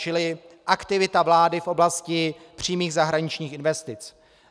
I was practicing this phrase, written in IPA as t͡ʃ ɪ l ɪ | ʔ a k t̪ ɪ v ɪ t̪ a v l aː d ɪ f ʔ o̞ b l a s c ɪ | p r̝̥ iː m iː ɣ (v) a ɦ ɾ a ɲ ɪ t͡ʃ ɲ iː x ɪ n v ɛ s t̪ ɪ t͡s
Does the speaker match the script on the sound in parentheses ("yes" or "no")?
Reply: no